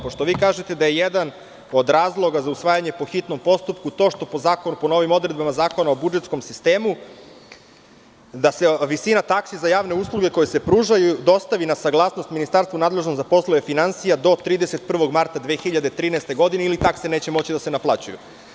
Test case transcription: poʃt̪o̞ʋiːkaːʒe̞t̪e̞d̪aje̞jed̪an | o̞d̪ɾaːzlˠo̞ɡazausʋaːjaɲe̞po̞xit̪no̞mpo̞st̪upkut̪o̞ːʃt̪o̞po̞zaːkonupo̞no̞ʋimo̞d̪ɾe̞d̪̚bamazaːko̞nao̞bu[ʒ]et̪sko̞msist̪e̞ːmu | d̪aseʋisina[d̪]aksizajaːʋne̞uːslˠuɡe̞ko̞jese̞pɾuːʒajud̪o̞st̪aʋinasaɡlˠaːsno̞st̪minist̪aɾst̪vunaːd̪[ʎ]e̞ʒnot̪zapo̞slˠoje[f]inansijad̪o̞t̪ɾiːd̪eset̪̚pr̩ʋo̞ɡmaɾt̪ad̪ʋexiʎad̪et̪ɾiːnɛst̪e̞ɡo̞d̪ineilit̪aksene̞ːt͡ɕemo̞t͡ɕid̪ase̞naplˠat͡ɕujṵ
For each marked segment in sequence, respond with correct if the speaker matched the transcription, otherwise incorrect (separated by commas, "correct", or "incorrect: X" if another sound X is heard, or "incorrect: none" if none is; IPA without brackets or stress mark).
incorrect: d͡ʒ, incorrect: t̪, incorrect: l, correct